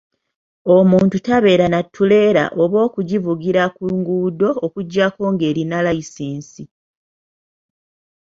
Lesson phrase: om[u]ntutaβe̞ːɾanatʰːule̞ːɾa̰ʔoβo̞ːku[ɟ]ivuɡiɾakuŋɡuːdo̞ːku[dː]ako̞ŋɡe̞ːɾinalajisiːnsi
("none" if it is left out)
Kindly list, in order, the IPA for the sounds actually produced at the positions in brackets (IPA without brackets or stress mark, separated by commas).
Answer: uː, ɟ, ɟː